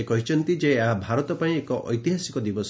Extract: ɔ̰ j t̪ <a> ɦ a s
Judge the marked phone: incorrect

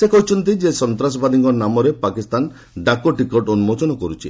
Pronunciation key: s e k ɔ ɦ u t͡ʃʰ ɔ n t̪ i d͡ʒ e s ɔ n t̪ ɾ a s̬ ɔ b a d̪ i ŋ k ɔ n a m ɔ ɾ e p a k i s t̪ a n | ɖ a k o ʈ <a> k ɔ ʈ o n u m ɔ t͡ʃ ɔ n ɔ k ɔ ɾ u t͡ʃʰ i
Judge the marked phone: incorrect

